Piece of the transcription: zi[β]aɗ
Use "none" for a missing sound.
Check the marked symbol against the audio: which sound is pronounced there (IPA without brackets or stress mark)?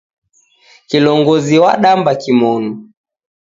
w